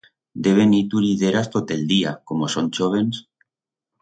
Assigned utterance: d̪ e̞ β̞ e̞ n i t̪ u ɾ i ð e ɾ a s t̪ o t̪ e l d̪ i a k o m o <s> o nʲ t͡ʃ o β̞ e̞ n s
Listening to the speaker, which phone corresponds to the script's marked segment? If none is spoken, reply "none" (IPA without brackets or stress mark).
s